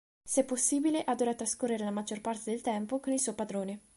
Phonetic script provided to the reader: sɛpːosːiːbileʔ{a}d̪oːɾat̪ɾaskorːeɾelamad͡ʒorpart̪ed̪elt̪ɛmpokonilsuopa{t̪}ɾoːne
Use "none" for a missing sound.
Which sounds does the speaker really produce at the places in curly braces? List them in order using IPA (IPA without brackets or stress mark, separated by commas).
a, d̪